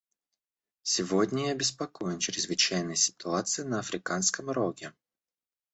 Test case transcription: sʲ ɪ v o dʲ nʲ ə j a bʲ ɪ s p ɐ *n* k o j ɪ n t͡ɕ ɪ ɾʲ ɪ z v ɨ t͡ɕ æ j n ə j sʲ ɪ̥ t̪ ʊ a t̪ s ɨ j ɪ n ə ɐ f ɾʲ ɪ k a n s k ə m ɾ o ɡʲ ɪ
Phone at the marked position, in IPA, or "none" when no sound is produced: none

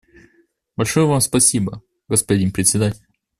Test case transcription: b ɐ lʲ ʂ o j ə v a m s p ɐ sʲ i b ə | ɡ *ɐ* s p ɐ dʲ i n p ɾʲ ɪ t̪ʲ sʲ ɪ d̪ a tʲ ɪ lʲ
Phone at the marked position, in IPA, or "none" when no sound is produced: ə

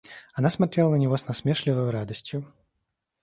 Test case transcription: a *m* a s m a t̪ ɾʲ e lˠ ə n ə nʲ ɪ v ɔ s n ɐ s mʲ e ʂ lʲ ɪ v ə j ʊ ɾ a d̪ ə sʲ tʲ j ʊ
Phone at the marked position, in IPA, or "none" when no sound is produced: n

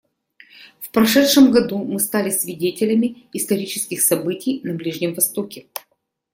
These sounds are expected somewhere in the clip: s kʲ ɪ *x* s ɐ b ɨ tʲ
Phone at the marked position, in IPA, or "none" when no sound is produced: x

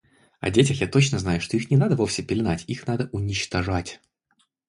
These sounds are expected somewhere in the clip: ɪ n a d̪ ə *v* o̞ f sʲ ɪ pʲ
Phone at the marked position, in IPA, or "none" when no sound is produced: v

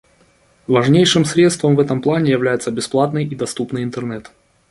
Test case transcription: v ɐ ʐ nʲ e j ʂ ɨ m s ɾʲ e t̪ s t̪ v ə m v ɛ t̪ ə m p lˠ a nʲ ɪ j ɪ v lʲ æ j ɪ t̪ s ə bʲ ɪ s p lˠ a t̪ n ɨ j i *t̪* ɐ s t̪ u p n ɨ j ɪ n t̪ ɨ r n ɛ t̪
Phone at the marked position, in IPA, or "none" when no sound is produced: d̪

